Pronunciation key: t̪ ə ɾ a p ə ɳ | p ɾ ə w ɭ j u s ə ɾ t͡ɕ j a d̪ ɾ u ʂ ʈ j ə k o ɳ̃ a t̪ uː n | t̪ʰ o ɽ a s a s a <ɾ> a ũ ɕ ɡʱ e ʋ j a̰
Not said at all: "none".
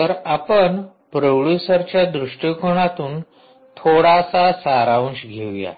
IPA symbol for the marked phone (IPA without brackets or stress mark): ɾ